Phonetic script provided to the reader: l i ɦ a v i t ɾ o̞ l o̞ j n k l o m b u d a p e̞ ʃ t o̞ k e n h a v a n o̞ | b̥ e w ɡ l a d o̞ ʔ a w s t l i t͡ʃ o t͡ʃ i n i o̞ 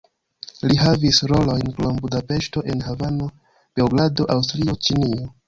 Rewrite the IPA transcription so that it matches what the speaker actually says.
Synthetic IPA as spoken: l i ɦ a v i s ɾ o̞ l o̞ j n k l o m b u d a p e̞ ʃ t o̞ ʔ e n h a v a n o̞ | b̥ e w ɡ l a d o̞ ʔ a w s t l i o t͡ʃ i n i o̞